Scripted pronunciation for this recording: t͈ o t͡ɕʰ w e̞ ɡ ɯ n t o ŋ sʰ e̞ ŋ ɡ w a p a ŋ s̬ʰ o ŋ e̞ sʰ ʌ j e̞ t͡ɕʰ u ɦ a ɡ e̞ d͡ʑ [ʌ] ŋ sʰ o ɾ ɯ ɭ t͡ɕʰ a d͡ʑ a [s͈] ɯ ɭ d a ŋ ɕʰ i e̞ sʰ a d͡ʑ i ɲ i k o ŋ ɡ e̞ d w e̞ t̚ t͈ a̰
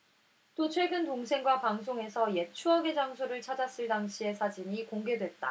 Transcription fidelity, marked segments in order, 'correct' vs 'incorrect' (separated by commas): incorrect, correct